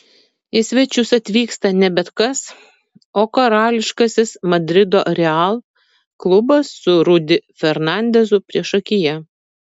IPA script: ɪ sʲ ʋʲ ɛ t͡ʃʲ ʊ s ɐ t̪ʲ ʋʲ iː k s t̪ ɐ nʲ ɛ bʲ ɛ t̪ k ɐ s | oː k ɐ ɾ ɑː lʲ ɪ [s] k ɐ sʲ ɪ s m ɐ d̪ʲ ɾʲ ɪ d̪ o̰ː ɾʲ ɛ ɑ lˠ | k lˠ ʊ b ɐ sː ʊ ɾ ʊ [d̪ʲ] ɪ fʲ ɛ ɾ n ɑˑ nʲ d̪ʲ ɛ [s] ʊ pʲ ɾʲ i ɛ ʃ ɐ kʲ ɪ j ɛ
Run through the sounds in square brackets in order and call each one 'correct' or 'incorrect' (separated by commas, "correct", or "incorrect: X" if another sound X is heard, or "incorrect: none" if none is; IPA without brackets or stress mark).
incorrect: ʃ, correct, incorrect: z